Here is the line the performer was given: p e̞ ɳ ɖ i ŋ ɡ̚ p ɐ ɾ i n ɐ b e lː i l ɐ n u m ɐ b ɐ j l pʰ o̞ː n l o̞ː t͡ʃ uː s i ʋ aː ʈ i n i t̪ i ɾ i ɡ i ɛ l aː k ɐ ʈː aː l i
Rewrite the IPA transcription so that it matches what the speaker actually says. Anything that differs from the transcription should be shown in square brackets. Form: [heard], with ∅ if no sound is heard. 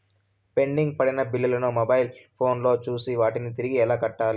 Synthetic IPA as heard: p e̞ ɳ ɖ i ŋ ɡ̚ p ɐ [ɽ] i n ɐ b [i] lː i l ɐ n u m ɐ b ɐ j l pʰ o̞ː n l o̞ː t͡ʃ uː s i ʋ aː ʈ i n i t̪ i ɾ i ɡ i ɛ l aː k ɐ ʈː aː l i